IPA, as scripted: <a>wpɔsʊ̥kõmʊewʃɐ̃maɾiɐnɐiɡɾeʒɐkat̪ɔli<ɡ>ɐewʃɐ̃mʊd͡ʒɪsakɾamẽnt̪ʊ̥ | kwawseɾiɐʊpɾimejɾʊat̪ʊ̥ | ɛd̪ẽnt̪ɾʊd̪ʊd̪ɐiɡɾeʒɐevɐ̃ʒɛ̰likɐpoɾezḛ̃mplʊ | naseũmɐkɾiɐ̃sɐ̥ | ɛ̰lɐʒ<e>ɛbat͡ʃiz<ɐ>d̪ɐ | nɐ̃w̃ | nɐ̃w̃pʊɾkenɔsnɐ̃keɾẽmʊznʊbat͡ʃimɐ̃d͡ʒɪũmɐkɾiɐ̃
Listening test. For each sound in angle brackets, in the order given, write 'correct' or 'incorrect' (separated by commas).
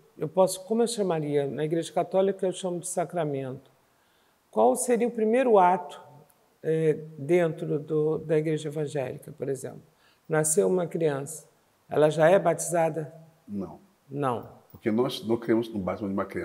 incorrect, incorrect, incorrect, incorrect